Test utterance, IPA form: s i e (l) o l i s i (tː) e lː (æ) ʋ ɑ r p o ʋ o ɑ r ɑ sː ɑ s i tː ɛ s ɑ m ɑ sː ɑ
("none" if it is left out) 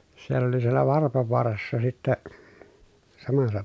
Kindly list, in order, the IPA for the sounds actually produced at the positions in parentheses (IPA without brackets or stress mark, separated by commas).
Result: lː, none, æ